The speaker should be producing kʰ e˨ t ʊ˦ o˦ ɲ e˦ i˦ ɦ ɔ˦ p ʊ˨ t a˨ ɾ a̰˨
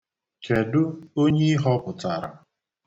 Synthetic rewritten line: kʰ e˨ d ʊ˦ o˦ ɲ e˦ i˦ ɦ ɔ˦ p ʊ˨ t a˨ ɾ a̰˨